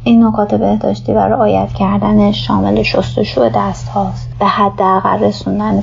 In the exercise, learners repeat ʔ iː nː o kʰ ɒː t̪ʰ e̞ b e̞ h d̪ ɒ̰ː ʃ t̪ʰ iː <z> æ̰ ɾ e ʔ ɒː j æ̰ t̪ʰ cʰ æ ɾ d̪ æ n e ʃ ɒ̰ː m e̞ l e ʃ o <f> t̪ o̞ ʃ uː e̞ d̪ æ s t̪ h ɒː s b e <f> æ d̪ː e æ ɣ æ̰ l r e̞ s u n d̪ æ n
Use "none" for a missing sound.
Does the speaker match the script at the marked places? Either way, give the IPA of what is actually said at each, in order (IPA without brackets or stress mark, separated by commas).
v, s, h